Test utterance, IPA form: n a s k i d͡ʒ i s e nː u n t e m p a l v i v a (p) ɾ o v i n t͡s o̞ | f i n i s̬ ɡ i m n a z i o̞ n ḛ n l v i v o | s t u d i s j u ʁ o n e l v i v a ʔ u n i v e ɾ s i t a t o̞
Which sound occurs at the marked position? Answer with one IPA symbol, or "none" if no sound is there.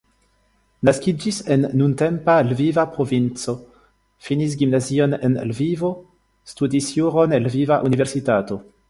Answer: p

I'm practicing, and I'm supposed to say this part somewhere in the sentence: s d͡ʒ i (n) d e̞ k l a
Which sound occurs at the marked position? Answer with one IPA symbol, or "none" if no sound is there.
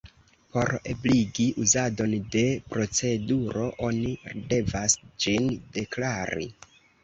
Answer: n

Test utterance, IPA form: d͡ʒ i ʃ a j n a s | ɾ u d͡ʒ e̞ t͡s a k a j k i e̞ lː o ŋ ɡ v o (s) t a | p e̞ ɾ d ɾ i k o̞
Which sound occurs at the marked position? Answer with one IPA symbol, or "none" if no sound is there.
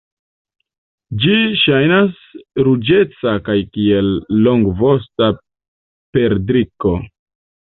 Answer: s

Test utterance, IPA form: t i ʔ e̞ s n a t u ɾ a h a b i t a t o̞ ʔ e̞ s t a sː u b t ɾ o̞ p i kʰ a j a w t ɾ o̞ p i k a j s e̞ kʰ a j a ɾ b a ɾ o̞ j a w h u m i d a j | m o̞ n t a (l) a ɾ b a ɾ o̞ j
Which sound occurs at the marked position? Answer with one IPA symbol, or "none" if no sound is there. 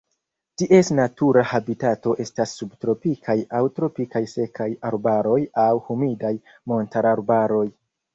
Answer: ɾ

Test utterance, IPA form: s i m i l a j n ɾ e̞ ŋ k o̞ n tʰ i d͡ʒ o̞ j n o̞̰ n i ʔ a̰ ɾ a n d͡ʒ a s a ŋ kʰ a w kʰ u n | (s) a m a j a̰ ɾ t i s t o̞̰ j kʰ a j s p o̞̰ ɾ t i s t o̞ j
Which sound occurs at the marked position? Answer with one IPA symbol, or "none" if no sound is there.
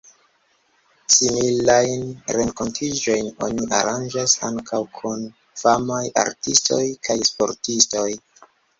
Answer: f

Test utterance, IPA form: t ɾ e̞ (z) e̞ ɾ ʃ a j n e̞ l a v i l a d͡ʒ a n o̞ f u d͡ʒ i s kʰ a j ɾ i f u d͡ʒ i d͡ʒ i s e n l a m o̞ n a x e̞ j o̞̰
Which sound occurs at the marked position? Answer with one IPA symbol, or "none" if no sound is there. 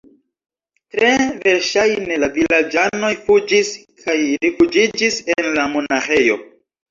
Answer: v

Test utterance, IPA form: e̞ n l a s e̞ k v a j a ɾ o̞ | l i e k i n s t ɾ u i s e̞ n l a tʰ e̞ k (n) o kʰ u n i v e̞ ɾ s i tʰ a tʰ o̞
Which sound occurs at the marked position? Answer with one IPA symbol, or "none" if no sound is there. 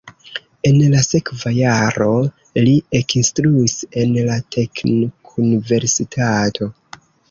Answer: n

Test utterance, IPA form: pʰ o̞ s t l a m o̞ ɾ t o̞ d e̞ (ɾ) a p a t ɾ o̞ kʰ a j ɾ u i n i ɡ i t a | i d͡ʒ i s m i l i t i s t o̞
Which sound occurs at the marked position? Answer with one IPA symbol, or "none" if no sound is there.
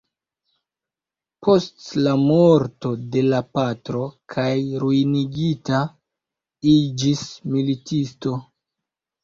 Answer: l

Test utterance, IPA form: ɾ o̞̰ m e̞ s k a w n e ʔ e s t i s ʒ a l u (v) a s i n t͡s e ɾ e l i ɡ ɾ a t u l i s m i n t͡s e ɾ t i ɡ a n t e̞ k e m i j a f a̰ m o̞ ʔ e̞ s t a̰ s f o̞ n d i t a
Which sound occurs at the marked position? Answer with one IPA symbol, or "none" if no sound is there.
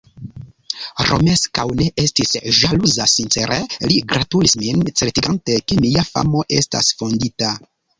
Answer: z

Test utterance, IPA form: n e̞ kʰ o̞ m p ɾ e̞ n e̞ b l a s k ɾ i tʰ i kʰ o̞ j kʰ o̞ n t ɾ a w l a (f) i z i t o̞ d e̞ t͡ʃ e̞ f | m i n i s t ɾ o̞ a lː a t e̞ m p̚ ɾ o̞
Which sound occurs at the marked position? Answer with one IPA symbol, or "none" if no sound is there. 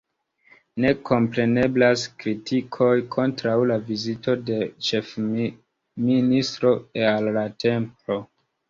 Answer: v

